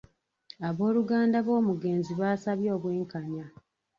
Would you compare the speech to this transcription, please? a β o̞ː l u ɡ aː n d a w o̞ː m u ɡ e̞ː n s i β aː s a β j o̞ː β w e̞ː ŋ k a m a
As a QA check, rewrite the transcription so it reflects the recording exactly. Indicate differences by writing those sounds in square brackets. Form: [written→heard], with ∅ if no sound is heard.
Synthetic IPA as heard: a β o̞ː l u ɡ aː n d a [w→β] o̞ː m u ɡ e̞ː n [s→z] i β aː s a β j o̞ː β w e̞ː ŋ k a [m→ɲ] a